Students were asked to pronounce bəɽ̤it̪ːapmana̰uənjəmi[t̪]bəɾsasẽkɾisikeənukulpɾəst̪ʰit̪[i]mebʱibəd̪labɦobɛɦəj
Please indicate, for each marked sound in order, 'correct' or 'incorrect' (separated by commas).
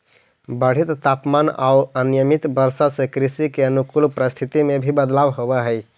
correct, correct